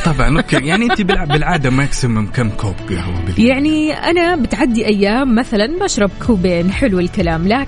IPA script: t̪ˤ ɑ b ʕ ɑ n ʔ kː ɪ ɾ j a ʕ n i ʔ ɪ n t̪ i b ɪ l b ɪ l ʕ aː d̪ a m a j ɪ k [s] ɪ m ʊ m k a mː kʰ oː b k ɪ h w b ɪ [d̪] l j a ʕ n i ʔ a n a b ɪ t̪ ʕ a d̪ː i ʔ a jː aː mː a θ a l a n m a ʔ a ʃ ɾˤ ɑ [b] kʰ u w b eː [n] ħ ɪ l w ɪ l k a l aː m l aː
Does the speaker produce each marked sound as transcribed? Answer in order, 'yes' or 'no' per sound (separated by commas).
yes, no, yes, yes